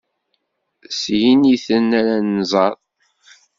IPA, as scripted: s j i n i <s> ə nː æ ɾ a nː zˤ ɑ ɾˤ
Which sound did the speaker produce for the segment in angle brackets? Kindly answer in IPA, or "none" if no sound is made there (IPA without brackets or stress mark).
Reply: θ